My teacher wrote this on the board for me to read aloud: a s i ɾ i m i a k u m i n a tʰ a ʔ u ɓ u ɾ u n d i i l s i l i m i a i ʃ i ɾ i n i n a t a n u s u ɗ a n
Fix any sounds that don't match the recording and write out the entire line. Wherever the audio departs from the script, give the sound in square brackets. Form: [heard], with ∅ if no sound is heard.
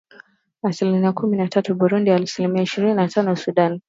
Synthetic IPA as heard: a s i [l] i m i a k u m i n a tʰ a [t] u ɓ u ɾ u n d i [a] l s i l i m i a i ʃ i ɾ i n i n a t a n [ɔ] s u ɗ a n